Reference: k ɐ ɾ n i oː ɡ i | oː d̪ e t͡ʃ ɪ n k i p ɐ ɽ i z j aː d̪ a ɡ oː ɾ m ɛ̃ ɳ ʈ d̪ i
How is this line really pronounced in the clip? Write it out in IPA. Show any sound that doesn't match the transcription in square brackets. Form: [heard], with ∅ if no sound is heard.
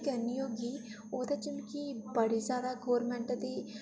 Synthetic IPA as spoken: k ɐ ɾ n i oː ɡ i | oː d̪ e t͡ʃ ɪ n k i [b] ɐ ɽ i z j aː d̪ a ɡ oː ɾ m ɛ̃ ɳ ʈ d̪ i